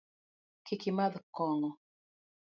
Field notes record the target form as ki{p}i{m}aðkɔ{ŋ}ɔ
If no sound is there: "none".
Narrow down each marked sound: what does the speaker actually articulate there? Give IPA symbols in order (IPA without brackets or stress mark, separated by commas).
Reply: k, m, ŋ